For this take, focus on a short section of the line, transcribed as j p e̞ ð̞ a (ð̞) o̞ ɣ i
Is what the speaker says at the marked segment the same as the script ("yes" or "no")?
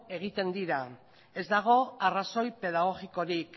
no